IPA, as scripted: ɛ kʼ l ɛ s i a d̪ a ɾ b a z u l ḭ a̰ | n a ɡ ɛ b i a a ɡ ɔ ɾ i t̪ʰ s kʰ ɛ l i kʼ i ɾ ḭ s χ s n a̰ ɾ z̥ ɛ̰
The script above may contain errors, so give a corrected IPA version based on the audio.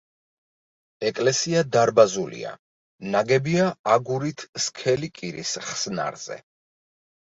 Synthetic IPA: ɛ kʼ l ɛ s i a d̪ a ɾ b a z u l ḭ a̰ | n a ɡ ɛ b i a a ɡ u ɾ i t̪ʰ s kʰ ɛ l i kʼ i ɾ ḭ s χ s n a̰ ɾ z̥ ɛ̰